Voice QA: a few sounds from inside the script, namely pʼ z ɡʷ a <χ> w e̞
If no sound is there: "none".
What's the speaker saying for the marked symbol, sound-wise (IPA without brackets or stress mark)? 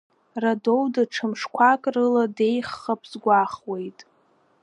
χ